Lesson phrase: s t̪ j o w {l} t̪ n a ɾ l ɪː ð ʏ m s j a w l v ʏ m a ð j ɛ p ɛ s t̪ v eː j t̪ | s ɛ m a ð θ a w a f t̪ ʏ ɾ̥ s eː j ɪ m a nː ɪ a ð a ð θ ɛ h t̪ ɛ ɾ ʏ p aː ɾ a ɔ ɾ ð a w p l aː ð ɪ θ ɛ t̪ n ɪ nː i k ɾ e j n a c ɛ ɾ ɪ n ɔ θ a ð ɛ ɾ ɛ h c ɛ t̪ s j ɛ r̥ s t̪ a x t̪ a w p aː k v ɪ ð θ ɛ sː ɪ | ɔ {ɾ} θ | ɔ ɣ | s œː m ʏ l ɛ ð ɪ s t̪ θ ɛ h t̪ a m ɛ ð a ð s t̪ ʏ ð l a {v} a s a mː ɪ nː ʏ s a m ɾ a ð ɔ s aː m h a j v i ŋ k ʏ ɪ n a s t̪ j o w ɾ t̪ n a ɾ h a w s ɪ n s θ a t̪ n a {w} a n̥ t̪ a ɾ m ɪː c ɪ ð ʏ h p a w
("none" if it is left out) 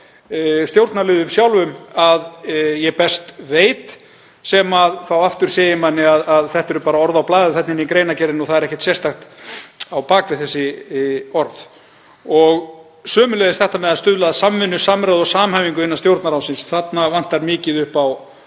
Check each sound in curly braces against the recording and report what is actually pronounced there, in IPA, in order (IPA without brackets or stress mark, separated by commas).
ɾ, ɾ, ð, v